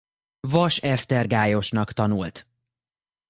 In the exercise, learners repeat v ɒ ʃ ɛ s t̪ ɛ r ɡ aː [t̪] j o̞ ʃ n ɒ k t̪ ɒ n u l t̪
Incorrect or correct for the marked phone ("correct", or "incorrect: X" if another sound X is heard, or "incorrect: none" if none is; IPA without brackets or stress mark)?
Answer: incorrect: none